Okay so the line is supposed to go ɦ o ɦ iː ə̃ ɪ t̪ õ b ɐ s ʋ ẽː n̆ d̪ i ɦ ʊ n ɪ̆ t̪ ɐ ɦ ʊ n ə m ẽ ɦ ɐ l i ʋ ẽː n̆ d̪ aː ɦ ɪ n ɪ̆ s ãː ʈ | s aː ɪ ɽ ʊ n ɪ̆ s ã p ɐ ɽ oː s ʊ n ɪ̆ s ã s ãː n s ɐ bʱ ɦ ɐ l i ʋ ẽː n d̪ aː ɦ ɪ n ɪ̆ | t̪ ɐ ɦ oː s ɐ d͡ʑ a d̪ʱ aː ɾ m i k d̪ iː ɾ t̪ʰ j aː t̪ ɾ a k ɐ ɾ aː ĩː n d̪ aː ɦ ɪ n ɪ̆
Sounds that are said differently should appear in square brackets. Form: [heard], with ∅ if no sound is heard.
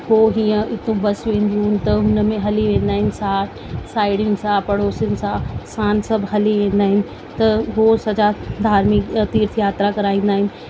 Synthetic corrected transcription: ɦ o ɦ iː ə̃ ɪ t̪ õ b ɐ s ʋ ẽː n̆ d̪ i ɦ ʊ n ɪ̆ t̪ ɐ ɦ ʊ n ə m ẽ ɦ ɐ l i ʋ ẽː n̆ d̪ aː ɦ ɪ n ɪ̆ s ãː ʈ | s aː ɪ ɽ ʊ n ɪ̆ s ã p ɐ ɽ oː s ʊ n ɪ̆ s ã s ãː n s ɐ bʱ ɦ ɐ l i ʋ ẽː n d̪ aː ɦ ɪ n ɪ̆ | t̪ ɐ ɦ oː s ɐ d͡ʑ a d̪ʱ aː ɾ m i k [t̪] iː ɾ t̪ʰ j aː t̪ ɾ a k ɐ ɾ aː ĩː n d̪ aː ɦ ɪ n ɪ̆